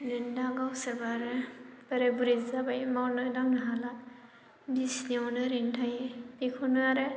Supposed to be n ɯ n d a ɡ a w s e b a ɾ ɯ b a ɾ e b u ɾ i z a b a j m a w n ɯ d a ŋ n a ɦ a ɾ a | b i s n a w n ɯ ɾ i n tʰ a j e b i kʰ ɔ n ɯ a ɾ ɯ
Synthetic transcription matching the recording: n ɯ n d a ɡ a w s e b a ɾ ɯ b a ɾ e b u ɾ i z a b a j m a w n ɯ d a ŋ n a ɦ a l a | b i s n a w n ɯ ɾ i n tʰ a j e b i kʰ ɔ n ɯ a ɾ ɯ